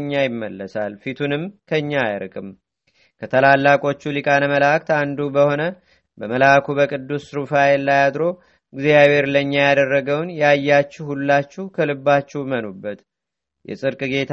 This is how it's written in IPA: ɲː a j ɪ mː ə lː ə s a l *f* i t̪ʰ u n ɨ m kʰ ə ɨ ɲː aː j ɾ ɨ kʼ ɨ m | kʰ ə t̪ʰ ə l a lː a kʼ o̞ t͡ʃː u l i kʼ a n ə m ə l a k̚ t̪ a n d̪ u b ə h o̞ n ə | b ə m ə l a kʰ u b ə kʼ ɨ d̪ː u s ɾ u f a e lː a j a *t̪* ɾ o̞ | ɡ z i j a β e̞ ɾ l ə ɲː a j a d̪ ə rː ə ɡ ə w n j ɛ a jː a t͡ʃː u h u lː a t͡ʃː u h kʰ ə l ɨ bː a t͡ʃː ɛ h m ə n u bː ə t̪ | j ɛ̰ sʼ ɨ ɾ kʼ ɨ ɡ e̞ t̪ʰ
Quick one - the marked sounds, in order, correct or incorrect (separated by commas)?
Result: correct, incorrect